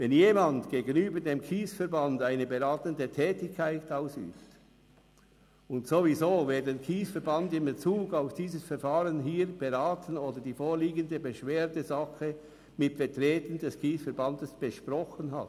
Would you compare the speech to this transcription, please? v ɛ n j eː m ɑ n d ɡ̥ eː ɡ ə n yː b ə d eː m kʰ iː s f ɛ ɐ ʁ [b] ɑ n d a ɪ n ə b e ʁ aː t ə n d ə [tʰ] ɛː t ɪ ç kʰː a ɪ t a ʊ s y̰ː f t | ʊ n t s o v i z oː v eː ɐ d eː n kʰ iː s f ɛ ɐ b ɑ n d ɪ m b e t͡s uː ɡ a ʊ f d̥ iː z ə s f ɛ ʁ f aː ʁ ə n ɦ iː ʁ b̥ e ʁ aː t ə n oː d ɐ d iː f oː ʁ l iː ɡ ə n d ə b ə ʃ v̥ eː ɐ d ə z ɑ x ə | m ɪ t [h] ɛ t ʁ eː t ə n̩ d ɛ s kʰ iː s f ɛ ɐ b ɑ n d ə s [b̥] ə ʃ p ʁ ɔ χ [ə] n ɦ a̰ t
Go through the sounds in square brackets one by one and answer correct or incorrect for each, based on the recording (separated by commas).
correct, correct, incorrect, correct, correct